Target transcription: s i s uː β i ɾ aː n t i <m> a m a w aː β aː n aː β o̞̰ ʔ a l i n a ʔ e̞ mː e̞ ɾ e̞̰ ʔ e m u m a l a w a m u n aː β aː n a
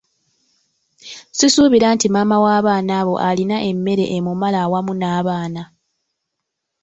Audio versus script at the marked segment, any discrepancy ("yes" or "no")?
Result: no